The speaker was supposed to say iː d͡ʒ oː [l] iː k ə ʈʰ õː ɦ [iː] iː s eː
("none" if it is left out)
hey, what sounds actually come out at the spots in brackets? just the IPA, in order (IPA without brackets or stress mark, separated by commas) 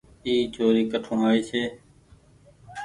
ɾ, aː